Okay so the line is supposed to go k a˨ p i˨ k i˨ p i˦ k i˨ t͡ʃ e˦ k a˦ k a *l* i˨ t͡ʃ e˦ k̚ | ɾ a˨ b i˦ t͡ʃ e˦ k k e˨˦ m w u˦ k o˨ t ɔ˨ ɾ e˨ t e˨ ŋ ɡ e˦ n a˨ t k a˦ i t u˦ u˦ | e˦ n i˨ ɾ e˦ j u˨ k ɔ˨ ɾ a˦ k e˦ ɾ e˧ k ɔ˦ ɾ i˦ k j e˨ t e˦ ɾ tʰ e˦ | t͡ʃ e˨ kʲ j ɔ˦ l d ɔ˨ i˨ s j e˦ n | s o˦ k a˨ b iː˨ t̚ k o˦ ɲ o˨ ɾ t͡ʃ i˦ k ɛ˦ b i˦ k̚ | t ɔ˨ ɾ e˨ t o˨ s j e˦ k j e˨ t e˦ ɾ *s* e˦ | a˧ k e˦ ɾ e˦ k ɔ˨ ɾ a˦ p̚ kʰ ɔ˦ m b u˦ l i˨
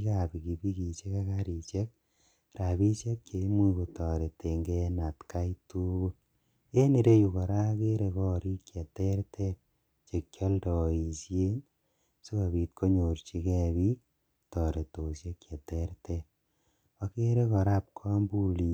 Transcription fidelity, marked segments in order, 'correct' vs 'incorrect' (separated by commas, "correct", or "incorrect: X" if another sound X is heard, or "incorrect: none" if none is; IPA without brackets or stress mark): incorrect: ɾ, incorrect: t